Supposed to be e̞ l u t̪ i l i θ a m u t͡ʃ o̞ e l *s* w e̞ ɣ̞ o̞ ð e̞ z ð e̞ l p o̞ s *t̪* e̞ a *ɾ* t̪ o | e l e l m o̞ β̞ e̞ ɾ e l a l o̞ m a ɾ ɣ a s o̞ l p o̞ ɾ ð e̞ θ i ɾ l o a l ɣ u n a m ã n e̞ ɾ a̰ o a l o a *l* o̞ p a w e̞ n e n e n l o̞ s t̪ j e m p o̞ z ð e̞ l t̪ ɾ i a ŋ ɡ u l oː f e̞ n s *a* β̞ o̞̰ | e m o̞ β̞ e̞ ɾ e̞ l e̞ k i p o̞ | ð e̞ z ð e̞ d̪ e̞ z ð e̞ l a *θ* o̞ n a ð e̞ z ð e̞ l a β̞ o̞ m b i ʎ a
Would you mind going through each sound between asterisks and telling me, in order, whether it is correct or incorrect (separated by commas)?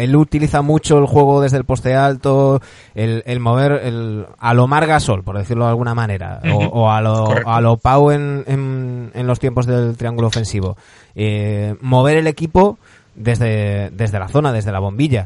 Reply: incorrect, correct, incorrect, correct, incorrect, correct